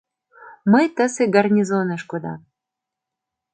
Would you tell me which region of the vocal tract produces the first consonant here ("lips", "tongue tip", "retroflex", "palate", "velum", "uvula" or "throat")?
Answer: lips